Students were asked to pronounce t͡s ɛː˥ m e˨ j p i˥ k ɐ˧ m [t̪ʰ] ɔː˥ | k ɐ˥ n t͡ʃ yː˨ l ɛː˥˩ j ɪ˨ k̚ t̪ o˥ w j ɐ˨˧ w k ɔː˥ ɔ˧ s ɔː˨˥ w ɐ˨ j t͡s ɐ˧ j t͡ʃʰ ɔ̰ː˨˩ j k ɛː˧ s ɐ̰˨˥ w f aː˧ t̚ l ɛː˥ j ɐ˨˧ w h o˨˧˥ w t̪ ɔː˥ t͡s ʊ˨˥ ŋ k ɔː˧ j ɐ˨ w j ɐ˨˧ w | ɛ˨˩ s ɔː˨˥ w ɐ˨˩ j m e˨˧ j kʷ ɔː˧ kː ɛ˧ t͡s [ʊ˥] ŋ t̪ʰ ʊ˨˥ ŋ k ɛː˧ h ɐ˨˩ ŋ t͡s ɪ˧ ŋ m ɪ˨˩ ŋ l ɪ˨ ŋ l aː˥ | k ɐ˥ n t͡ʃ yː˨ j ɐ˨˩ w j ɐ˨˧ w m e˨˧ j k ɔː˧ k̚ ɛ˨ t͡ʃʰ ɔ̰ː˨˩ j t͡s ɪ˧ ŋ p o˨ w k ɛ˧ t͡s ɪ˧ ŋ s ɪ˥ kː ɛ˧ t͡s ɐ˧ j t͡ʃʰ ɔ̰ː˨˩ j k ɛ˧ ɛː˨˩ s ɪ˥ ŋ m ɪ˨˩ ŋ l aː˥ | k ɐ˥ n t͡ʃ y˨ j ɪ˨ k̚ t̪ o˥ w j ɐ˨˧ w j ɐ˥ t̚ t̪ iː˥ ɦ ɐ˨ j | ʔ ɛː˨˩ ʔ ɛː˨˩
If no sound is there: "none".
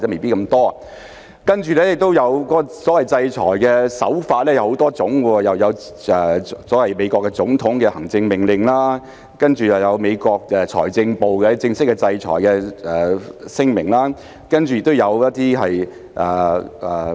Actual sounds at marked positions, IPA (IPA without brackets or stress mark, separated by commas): t̪, ʊ˨˥